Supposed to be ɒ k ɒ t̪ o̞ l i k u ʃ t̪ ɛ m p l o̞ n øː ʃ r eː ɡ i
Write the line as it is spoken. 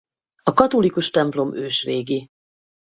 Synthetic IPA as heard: ɒ k ɒ t̪ o̞ l i k u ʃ t̪ ɛ m p l o̞ m øː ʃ r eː ɡ i